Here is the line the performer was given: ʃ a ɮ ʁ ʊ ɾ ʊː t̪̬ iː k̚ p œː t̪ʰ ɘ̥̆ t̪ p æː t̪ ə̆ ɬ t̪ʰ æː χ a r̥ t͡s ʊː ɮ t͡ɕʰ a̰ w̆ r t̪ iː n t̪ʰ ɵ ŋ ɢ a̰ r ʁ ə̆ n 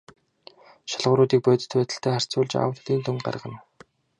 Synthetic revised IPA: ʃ a ɮ ʁ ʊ ɾ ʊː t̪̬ iː k̚ p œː t̪ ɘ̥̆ t̪ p æː t̪ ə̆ ɬ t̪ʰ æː χ a r̥ t͡s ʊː ɮ t͡ɕ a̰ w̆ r t̪ iː n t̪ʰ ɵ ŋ ɢ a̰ r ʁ ə̆ n